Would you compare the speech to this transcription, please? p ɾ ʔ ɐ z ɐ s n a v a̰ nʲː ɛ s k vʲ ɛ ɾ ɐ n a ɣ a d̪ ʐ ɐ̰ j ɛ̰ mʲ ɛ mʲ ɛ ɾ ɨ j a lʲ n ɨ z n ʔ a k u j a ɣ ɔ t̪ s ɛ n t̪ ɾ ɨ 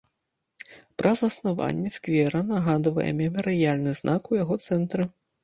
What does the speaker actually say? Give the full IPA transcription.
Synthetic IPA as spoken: p ɾ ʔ ɐ z ɐ s n a v a̰ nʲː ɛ s k vʲ ɛ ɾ ɐ n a ɣ a d̪ v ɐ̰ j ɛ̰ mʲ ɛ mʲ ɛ ɾ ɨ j a lʲ n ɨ z n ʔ a k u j a ɣ ɔ t̪ s ɛ n t̪ ɾ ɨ